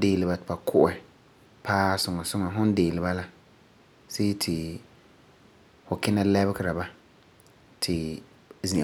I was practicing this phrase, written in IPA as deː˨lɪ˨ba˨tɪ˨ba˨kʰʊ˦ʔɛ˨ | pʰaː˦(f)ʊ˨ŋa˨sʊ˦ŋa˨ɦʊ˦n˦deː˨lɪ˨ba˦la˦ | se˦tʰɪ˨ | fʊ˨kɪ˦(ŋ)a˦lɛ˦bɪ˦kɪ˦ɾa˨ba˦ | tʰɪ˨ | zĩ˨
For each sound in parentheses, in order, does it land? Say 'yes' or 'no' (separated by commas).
no, no